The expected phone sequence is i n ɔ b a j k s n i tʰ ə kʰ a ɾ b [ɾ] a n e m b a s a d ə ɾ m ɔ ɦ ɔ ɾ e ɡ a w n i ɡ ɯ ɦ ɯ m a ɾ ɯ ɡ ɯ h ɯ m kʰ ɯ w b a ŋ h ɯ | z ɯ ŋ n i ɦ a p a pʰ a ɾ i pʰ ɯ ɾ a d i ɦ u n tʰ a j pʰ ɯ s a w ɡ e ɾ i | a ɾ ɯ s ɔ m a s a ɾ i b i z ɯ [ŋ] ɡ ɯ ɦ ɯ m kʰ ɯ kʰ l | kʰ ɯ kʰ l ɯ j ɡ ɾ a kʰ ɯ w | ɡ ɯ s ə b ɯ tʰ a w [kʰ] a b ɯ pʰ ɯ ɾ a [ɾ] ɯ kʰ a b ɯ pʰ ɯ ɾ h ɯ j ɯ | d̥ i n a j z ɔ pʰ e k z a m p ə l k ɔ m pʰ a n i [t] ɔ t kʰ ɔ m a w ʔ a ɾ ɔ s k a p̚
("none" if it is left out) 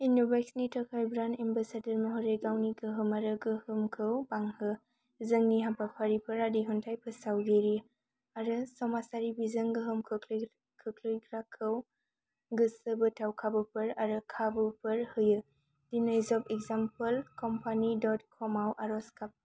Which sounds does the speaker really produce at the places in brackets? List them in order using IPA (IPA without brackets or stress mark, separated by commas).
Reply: ɾ, ŋ, kʰ, ɾ, d